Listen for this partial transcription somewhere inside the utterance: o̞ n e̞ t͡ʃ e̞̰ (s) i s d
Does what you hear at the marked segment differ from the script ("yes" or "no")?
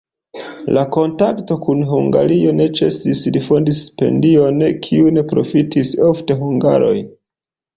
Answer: no